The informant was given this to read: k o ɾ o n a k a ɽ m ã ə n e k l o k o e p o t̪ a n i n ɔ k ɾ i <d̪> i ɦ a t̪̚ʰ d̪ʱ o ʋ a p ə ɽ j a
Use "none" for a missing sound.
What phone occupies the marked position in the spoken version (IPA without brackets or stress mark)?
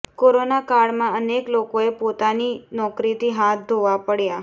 t̪